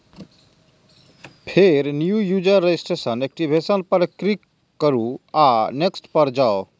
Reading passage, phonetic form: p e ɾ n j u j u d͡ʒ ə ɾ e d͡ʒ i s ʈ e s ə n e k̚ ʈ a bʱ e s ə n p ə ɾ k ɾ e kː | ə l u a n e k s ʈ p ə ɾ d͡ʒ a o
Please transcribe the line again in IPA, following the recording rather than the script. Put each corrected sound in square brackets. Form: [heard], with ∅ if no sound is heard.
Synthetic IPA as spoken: [pʰ] e ɾ n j u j u d͡ʒ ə ɾ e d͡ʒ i s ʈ e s ə n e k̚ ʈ [i] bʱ e s ə n p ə ɾ k ɾ [i] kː | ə [ɾ] u a n e k s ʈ p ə ɾ d͡ʒ a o